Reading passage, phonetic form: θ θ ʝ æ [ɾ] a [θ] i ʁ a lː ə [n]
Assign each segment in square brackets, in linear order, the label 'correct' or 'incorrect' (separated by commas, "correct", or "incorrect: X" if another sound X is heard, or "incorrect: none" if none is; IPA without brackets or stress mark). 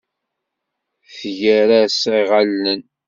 correct, incorrect: s, correct